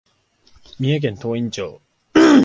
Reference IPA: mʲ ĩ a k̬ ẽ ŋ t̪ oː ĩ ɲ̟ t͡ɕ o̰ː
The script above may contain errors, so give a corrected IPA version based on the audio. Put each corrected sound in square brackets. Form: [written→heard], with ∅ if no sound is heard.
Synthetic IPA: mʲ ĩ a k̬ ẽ [ŋ→n] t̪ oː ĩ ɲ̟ t͡ɕ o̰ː